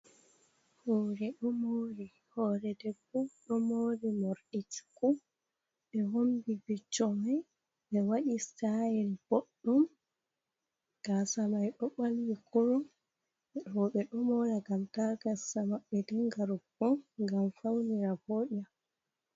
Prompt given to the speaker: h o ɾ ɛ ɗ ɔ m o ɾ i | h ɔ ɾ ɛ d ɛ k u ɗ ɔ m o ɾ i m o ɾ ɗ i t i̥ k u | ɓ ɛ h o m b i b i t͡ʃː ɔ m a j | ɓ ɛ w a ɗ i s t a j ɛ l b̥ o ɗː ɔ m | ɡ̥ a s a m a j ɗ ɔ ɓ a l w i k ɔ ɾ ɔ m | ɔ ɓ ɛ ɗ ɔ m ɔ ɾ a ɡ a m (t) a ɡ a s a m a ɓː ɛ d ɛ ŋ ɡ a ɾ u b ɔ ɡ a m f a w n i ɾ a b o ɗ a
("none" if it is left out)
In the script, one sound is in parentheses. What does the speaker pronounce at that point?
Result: t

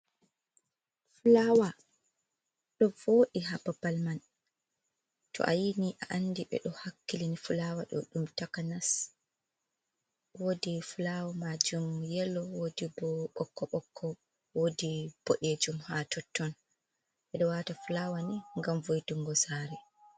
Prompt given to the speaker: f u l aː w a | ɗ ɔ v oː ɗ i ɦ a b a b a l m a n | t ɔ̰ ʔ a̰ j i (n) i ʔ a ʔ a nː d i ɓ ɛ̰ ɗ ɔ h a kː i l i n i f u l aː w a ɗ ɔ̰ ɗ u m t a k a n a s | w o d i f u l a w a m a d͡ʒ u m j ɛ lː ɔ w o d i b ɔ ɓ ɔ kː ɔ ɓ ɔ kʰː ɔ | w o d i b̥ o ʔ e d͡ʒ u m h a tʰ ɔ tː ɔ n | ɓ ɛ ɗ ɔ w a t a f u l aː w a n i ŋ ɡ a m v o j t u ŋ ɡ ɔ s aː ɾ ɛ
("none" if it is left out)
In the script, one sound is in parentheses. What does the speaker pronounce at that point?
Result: n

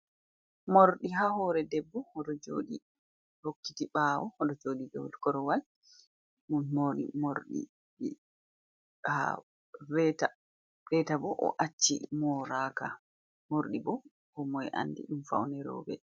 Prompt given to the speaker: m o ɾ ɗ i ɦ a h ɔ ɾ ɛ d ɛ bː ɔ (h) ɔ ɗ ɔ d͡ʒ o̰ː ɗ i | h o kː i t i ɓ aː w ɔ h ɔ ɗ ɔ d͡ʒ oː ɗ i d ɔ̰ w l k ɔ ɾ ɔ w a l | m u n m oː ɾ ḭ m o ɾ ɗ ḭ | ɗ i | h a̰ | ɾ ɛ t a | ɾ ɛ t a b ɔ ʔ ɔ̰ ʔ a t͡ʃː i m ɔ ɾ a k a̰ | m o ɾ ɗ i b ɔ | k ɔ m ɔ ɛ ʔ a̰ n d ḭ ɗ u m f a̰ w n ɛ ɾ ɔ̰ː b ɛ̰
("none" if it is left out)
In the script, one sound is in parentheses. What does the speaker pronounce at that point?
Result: h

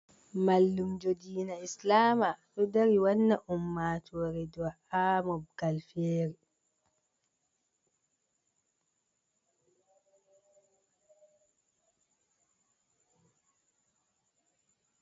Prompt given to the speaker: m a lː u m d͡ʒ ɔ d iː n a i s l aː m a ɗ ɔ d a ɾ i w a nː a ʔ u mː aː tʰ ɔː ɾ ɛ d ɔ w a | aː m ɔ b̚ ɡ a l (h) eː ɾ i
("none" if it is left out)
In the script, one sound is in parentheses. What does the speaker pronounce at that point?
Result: f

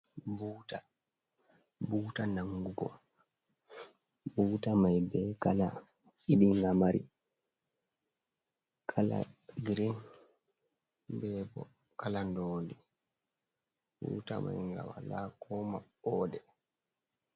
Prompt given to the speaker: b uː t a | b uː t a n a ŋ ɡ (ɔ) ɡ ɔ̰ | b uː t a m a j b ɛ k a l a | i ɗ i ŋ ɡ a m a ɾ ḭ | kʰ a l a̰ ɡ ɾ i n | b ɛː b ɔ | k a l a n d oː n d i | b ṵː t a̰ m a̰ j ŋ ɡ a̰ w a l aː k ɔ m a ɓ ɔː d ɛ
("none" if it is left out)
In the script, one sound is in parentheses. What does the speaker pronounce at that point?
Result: u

